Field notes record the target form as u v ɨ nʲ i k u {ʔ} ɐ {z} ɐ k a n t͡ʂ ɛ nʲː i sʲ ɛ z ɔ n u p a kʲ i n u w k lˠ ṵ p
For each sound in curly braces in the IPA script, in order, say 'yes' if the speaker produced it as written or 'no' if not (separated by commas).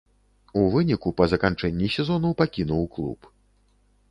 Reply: no, yes